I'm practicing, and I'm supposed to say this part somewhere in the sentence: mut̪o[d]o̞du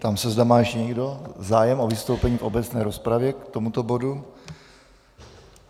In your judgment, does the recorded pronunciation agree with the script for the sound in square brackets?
no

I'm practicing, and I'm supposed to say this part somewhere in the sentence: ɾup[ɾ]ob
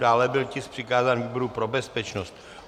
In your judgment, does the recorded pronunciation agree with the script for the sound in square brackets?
yes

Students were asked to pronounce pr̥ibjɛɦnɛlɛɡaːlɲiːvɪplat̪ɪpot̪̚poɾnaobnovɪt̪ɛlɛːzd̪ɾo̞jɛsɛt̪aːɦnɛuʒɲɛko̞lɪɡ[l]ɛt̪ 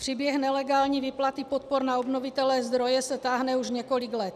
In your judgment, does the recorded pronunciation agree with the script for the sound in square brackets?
yes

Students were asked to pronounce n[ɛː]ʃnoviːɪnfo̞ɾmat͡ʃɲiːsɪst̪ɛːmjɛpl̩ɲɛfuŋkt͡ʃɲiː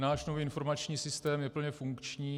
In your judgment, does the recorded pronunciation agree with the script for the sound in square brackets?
no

